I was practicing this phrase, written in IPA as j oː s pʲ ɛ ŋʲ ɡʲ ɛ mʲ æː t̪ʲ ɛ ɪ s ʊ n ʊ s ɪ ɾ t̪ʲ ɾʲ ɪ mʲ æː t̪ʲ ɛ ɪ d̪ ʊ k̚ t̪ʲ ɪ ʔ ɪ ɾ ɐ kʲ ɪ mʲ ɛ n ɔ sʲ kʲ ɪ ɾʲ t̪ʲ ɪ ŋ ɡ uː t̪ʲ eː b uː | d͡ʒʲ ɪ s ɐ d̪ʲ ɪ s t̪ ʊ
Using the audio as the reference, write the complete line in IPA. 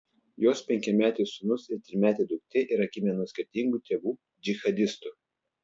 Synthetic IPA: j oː s pʲ ɛ ŋʲ kʲ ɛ mʲ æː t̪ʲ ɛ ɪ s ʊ n ʊ s ɪ ɾ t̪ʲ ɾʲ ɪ mʲ æː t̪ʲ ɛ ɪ d̪ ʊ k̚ t̪ʲ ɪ ʔ ɪ ɾ ɐ kʲ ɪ mʲ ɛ n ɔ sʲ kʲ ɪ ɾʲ t̪ʲ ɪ ŋ ɡ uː t̪ʲ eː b uː | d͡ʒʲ ɪ x ɐ d̪ʲ ɪ s t̪ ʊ

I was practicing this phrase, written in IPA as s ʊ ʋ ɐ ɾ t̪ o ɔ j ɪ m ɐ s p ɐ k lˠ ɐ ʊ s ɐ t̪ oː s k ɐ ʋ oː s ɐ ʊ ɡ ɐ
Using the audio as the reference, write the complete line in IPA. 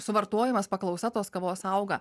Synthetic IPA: s ʊ ʋ ɐ ɾ t̪ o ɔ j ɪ m ɐ s p ɐ k lˠ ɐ ʊ s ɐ t̪ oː s k ɐ ʋ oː s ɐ ʊ ɡ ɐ

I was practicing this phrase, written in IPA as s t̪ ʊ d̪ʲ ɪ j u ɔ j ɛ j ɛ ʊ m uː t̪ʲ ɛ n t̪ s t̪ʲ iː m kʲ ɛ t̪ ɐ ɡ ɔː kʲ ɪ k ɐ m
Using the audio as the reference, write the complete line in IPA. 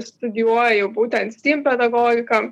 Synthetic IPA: s t̪ ʊ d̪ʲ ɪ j u ɔ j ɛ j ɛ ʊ b uː t̪ʲ ɛ n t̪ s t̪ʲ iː m pʲ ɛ d̪ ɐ ɡ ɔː ɡʲ ɪ k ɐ m

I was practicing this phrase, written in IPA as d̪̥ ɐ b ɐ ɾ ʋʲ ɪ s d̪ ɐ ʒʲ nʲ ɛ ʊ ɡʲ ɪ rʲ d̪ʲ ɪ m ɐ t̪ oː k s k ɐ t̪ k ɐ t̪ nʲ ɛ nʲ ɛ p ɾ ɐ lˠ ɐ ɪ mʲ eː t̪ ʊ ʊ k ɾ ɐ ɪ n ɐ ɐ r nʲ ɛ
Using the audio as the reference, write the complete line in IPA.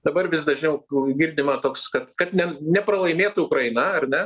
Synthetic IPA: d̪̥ ɐ b ɐ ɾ ʋʲ ɪ s d̪ ɐ ʒʲ nʲ ɛ ʊ ɡʲ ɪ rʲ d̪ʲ ɪ m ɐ t̪ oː k s k ɐ t̪ k ɐ t̪ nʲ ɛ nʲ ɛ p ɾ ɐ lˠ ɐ ɪ mʲ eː t̪ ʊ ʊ k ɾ ɐ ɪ n ɐ ɐ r nʲ ɛ

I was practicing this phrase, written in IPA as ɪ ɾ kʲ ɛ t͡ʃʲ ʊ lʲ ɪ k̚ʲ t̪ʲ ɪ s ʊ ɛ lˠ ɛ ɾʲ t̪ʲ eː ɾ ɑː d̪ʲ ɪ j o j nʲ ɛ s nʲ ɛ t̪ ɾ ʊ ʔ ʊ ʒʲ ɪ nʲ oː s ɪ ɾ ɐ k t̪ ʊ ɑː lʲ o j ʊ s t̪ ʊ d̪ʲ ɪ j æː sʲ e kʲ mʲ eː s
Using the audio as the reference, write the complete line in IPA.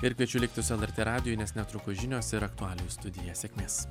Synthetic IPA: ɪ ɾ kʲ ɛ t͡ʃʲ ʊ lʲ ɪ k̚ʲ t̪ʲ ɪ s ʊ ɛ lˠ ɛ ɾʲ t̪ʲ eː ɾ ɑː d̪ʲ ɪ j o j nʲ ɛ s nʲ ɛ t̪ ɾ ʊ k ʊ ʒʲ ɪ nʲ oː s ɪ ɾ ɐ k t̪ ʊ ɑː lʲ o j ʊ s t̪ ʊ d̪ʲ ɪ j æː sʲ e kʲ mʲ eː s

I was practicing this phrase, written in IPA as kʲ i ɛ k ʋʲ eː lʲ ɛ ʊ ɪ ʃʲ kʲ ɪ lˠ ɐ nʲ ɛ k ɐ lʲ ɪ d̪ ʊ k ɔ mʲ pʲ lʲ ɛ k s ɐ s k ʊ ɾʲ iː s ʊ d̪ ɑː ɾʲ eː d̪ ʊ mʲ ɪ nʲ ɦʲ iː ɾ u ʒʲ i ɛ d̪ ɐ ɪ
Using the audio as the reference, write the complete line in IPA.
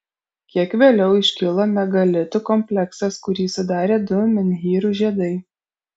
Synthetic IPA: kʲ i ɛ k ʋʲ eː lʲ ɛ ʊ ɪ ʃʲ kʲ ɪ lˠ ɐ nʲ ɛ ɡ ɐ lʲ ɪ t̪ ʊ k ɔ mʲ pʲ lʲ ɛ k s ɐ s k ʊ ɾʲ iː s ʊ d̪ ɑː ɾʲ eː d̪ ʊ mʲ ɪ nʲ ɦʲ iː ɾ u ʒʲ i ɛ d̪ ɐ ɪ

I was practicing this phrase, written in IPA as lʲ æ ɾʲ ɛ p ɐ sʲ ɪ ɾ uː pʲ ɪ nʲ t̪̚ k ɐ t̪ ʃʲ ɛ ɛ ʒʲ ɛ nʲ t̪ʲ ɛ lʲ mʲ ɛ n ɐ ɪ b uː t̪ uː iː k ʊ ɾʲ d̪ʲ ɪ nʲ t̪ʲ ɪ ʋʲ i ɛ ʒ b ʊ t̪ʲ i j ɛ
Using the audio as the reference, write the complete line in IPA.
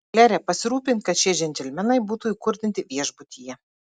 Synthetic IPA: lʲ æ ɾʲ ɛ p ɐ sʲ ɪ ɾ uː pʲ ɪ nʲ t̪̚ k ɐ t̪ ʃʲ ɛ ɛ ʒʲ ɛ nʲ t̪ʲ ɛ lʲ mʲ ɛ n ɐ ɪ b uː t̪ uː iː k ʊ ɾʲ d̪ʲ ɪ nʲ t̪ʲ ɪ ʋʲ i ɛ ʒ b ʊ t̪ʲ i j ɛ

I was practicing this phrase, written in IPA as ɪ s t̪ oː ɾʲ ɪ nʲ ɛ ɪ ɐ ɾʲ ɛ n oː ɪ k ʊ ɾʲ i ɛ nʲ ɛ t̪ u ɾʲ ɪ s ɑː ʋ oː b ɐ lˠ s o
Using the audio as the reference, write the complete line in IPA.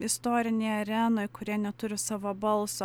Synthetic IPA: ɪ s t̪ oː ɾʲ ɪ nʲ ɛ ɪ ɐ ɾʲ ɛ n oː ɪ k ʊ ɾʲ i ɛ nʲ ɛ t̪ ʊ ɾʲ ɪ s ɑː ʋ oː b ɐ lˠ s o

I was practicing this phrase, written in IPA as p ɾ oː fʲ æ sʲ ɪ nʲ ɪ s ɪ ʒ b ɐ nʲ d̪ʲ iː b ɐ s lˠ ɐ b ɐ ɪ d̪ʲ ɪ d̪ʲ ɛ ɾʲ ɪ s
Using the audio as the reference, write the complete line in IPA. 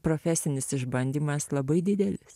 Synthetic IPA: p ɾ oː fʲ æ sʲ ɪ nʲ ɪ s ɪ ʒ b ɐ nʲ d̪ʲ iː m ɐ s lˠ ɐ b ɐ ɪ d̪ʲ ɪ d̪ʲ ɛ lʲ ɪ s

